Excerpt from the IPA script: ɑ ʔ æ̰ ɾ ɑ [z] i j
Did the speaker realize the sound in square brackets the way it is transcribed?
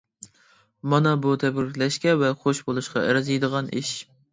yes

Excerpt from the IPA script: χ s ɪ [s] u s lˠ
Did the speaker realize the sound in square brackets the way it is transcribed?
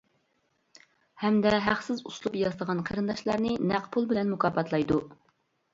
no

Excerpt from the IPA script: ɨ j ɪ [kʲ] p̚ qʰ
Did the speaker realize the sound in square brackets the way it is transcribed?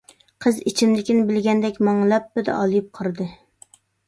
no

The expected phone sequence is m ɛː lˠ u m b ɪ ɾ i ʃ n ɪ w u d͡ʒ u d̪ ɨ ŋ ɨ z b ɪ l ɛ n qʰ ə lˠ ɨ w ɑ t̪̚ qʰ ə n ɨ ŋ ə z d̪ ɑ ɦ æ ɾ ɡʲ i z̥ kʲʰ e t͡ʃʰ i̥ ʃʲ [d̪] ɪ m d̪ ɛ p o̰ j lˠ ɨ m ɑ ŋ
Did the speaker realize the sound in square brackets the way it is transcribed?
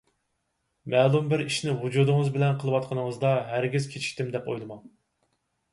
no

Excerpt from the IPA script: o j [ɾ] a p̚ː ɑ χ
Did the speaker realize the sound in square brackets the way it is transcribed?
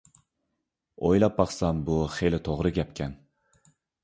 no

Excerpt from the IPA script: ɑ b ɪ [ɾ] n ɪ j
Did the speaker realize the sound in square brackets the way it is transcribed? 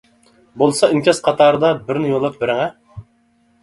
yes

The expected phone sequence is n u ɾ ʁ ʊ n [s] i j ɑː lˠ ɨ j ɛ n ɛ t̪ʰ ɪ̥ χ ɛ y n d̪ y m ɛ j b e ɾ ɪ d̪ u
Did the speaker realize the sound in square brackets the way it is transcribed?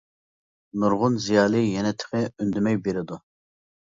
no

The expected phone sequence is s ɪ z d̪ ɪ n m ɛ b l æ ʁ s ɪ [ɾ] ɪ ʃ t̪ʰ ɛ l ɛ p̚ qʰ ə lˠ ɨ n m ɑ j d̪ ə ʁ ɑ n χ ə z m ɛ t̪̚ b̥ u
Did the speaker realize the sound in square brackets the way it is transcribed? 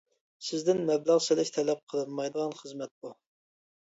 no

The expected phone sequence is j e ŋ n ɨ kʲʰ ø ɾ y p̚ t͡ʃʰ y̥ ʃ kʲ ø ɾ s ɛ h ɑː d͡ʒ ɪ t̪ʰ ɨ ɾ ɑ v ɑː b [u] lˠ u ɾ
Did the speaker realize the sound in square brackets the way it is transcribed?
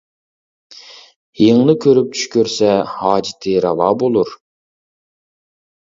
no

